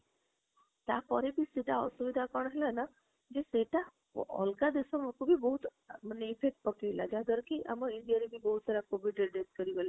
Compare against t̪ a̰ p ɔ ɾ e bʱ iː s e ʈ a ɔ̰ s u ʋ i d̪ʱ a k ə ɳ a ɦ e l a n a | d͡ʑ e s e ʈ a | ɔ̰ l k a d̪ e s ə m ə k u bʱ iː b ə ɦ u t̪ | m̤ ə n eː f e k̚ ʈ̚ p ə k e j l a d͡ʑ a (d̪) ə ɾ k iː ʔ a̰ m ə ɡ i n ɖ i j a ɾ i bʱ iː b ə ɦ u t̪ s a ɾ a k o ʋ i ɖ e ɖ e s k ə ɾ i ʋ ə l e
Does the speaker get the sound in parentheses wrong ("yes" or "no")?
no